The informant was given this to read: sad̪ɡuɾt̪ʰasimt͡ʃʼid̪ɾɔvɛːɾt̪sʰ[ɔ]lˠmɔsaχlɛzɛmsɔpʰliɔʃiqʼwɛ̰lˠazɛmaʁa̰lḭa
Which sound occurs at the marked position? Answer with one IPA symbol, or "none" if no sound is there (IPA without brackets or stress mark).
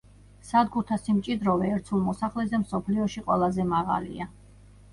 u